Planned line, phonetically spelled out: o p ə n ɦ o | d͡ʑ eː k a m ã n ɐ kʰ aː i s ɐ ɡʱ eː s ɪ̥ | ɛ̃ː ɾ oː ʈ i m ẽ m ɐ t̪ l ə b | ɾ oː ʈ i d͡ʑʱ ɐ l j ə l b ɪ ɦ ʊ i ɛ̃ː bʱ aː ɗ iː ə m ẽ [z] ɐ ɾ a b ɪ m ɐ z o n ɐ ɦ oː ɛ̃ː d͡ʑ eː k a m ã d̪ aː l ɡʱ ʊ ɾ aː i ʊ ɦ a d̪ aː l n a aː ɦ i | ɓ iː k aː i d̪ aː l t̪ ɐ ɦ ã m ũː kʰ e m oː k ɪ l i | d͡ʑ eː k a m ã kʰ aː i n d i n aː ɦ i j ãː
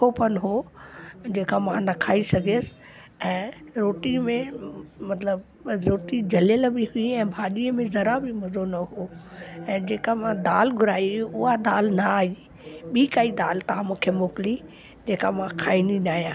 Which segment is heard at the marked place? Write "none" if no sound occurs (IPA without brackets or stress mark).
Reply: z